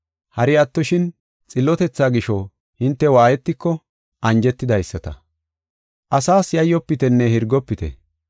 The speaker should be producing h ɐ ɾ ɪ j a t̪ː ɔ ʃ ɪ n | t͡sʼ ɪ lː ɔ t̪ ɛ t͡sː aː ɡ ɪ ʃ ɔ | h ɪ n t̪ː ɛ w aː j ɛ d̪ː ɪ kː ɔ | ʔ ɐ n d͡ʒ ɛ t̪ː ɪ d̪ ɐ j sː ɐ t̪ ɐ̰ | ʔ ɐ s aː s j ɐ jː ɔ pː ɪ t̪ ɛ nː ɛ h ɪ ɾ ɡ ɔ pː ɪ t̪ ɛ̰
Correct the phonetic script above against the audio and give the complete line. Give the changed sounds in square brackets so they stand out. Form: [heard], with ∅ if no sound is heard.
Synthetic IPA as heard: h ɐ ɾ ɪ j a t̪ː ɔ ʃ ɪ n | t͡sʼ ɪ lː ɔ t̪ ɛ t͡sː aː ɡ ɪ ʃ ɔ | h ɪ n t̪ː ɛ w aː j ɛ [t̪ː] ɪ kː ɔ | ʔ ɐ n d͡ʒ ɛ t̪ː ɪ d̪ ɐ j sː ɐ t̪ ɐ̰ | ʔ ɐ s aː s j ɐ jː ɔ pː ɪ t̪ ɛ nː ɛ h ɪ ɾ ɡ ɔ pː ɪ t̪ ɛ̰

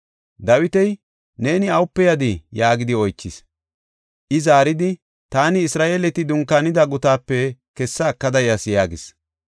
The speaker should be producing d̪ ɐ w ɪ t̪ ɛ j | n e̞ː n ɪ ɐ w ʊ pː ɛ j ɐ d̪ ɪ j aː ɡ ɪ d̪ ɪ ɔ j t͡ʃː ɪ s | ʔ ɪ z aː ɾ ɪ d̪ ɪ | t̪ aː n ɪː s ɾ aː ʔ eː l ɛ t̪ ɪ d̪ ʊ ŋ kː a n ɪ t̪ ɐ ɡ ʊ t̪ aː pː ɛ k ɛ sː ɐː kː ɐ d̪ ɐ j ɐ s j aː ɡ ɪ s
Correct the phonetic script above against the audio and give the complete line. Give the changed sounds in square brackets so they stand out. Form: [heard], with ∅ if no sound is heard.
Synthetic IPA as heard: d̪ ɐ w ɪ t̪ ɛ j | n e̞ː n ɪ ɐ w ʊ pː ɛ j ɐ d̪ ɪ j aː ɡ ɪ d̪ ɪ ɔ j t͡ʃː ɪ s | ʔ ɪ z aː ɾ ɪ d̪ ɪ | t̪ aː n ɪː s ɾ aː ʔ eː l ɛ t̪ ɪ d̪ ʊ ŋ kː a n ɪ [d̪] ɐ ɡ ʊ t̪ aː pː ɛ k ɛ sː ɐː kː ɐ d̪ ɐ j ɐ s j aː ɡ ɪ s

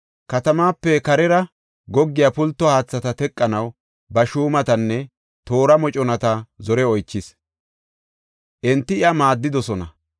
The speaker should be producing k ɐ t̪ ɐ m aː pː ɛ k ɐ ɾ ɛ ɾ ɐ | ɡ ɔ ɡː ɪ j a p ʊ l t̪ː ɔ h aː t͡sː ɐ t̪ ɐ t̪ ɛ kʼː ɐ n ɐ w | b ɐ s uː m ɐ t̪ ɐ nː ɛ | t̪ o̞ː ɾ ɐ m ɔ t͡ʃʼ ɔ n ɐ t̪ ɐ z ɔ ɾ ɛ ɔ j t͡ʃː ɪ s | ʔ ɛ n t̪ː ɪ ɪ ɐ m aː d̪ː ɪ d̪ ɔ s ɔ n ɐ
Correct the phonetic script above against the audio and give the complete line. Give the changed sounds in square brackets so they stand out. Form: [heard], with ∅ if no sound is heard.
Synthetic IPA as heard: k ɐ t̪ ɐ m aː pː ɛ k ɐ ɾ ɛ ɾ ɐ | ɡ ɔ ɡː ɪ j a p ʊ l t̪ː ɔ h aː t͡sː ɐ t̪ ɐ t̪ ɛ kʼː ɐ n ɐ w | b ɐ [ʃ] uː m ɐ t̪ ɐ nː ɛ | t̪ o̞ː ɾ ɐ m ɔ t͡ʃʼ ɔ n ɐ t̪ ɐ z ɔ ɾ ɛ ɔ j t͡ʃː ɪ s | ʔ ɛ n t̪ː ɪ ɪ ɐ m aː d̪ː ɪ d̪ ɔ s ɔ n ɐ

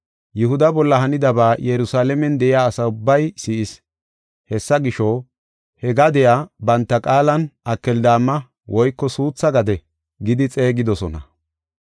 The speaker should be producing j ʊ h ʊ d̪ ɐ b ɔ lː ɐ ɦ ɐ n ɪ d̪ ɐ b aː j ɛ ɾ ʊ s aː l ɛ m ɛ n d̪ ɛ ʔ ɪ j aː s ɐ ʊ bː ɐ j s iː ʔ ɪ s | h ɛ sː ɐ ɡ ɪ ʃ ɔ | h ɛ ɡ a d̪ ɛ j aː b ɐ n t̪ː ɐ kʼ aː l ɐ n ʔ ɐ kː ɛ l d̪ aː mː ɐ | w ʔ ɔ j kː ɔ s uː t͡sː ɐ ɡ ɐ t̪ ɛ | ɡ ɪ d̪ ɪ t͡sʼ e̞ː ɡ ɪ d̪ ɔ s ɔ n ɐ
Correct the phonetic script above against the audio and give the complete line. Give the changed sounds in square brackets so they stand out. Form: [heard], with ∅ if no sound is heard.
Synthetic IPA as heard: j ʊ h ʊ d̪ ɐ b ɔ lː ɐ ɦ ɐ n ɪ d̪ ɐ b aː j ɛ ɾ ʊ s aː l ɛ m ɛ n d̪ ɛ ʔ ɪ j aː s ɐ ʊ bː ɐ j s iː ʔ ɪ s | h ɛ sː ɐ ɡ ɪ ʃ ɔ | h ɛ ɡ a d̪ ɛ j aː b ɐ n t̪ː ɐ kʼ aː l ɐ n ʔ ɐ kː ɛ l d̪ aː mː ɐ | w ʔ ɔ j kː ɔ s uː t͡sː ɐ ɡ ɐ [d̪] ɛ | ɡ ɪ d̪ ɪ t͡sʼ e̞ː ɡ ɪ d̪ ɔ s ɔ n ɐ

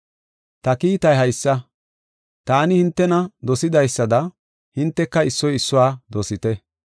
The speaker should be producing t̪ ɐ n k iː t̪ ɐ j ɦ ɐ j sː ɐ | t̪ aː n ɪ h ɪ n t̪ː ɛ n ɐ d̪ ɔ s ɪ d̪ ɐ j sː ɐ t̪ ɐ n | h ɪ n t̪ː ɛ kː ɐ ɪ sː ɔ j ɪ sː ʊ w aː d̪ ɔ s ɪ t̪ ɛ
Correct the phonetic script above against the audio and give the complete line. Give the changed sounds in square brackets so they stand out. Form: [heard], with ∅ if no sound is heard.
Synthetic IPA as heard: t̪ ɐ [∅] k iː t̪ ɐ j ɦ ɐ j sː ɐ | t̪ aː n ɪ h ɪ n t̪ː ɛ n ɐ d̪ ɔ s ɪ d̪ ɐ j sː ɐ [d̪] ɐ [∅] | h ɪ n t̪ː ɛ kː ɐ ɪ sː ɔ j ɪ sː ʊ w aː d̪ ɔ s ɪ t̪ ɛ

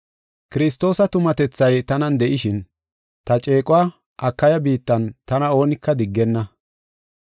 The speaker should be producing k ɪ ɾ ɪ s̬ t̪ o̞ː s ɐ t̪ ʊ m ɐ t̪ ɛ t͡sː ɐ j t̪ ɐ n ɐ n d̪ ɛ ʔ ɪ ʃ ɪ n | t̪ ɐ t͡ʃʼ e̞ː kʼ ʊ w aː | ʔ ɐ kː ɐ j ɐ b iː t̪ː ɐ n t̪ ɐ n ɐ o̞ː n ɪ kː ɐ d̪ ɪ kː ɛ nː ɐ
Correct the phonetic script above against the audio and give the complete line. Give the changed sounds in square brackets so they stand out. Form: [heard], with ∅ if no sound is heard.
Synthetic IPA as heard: k ɪ ɾ ɪ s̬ t̪ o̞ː s ɐ t̪ ʊ m ɐ t̪ ɛ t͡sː ɐ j t̪ ɐ n ɐ n d̪ ɛ ʔ ɪ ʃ ɪ n | t̪ ɐ t͡ʃʼ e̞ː kʼ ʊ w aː | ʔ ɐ kː ɐ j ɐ b iː t̪ː ɐ n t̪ ɐ n ɐ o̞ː n ɪ kː ɐ d̪ ɪ [ɡː] ɛ nː ɐ

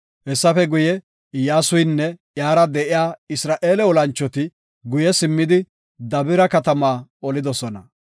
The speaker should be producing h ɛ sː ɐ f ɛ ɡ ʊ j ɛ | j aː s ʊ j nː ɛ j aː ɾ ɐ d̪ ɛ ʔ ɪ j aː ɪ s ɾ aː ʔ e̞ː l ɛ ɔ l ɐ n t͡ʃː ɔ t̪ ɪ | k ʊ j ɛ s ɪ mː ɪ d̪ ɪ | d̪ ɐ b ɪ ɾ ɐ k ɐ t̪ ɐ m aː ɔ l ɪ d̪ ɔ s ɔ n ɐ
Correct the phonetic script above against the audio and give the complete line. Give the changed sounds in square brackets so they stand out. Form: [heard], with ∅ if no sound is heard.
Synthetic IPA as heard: h ɛ sː ɐ f ɛ ɡ ʊ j ɛ | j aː s ʊ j nː ɛ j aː ɾ ɐ d̪ ɛ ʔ ɪ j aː ɪ s ɾ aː ʔ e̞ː l ɛ ɔ l ɐ n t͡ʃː ɔ t̪ ɪ | [ɡ] ʊ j ɛ s ɪ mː ɪ d̪ ɪ | d̪ ɐ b ɪ ɾ ɐ k ɐ t̪ ɐ m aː ɔ l ɪ d̪ ɔ s ɔ n ɐ

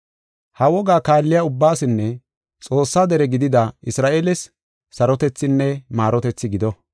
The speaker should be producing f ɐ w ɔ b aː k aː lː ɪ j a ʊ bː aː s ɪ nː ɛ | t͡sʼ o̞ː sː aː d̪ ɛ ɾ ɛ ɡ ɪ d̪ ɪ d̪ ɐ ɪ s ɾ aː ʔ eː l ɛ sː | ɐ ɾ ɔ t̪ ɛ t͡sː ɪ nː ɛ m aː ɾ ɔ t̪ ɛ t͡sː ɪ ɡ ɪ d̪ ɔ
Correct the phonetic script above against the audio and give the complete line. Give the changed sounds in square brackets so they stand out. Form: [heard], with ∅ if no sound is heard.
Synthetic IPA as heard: [h] ɐ w ɔ [ɡ] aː k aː lː ɪ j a ʊ bː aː s ɪ nː ɛ | t͡sʼ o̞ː sː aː d̪ ɛ ɾ ɛ ɡ ɪ d̪ ɪ d̪ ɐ ɪ s ɾ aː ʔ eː l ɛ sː | ɐ ɾ ɔ t̪ ɛ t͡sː ɪ nː ɛ m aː ɾ ɔ t̪ ɛ t͡sː ɪ ɡ ɪ d̪ ɔ

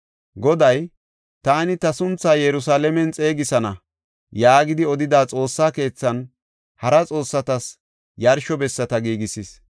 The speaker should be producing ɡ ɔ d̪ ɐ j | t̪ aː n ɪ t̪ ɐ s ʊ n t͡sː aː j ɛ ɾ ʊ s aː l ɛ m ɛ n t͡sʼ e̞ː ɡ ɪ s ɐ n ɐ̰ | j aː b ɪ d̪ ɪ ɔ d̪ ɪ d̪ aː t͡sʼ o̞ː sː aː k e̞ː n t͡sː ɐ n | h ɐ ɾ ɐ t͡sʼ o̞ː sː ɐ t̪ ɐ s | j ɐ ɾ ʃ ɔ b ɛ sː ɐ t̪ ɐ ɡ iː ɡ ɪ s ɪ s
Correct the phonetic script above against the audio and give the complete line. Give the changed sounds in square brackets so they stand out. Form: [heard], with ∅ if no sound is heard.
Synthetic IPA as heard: ɡ ɔ d̪ ɐ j | t̪ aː n ɪ t̪ ɐ s ʊ n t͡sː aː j ɛ ɾ ʊ s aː l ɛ m ɛ n t͡sʼ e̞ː ɡ ɪ s ɐ n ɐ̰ | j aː [ɡ] ɪ d̪ ɪ ɔ d̪ ɪ d̪ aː t͡sʼ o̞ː sː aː k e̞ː [∅] t͡sː ɐ n | h ɐ ɾ ɐ t͡sʼ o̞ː sː ɐ t̪ ɐ s | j ɐ ɾ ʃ ɔ b ɛ sː ɐ t̪ ɐ ɡ iː ɡ ɪ s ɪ s

